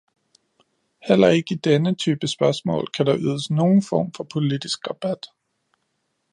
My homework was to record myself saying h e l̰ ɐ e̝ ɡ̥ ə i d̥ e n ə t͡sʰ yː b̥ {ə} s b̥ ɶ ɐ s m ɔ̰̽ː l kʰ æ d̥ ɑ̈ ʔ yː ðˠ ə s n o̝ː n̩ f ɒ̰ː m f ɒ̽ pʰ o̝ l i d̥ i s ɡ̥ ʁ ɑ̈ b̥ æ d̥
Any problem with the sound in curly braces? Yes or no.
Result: no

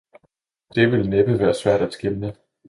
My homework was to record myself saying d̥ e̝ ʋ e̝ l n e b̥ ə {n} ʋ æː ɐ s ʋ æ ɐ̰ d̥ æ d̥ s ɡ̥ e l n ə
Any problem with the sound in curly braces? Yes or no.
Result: yes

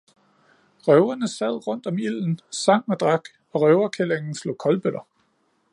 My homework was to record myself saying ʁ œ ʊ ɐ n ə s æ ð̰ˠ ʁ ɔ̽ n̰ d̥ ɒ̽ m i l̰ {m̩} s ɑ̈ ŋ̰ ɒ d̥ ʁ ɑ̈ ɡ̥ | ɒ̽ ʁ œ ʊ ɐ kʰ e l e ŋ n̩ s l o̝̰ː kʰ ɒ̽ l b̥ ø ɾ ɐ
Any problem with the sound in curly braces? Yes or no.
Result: yes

